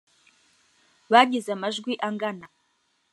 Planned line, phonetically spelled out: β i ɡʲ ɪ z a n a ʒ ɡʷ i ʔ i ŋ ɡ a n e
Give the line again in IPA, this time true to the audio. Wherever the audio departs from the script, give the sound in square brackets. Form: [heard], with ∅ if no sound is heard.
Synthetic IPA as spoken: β [a] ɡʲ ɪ z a [m] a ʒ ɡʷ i ʔ [a] ŋ ɡ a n [a]